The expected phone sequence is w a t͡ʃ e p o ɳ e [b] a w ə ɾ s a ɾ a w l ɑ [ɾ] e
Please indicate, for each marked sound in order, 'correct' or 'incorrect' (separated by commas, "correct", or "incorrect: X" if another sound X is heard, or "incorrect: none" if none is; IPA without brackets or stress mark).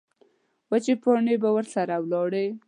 correct, incorrect: ɽ